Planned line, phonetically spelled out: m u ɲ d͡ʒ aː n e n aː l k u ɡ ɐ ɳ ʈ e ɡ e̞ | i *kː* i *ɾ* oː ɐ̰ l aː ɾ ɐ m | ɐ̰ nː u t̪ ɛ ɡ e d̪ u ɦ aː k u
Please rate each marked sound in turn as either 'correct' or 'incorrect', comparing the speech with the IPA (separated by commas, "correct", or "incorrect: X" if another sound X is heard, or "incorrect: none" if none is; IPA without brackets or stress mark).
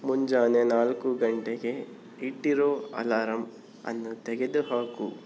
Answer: incorrect: ʈː, correct